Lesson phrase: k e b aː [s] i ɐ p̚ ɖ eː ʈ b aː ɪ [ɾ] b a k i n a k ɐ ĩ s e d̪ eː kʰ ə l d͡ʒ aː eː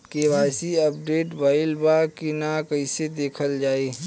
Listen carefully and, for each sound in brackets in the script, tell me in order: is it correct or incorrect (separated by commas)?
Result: correct, incorrect